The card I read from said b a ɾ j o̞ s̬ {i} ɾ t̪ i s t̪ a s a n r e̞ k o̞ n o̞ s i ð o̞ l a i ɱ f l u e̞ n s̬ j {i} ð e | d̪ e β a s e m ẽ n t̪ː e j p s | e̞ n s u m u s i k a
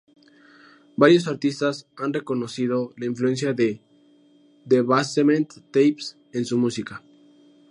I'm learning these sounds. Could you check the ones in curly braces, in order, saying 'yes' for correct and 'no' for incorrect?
no, no

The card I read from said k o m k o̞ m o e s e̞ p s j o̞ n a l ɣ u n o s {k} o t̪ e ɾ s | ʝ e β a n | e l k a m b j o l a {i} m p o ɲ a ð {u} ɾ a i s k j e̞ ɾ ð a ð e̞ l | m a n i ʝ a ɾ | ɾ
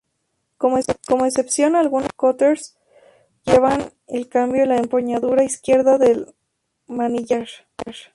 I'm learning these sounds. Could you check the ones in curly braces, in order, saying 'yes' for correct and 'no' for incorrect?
yes, no, yes

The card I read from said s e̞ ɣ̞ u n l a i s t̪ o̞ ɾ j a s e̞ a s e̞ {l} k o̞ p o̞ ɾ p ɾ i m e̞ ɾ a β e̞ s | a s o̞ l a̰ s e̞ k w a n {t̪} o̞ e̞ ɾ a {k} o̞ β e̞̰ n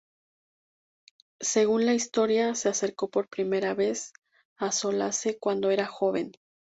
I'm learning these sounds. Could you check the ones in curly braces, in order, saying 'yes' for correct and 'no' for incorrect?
no, no, no

